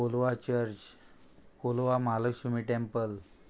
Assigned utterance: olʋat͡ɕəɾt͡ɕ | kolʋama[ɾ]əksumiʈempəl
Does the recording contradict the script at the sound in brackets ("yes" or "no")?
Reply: yes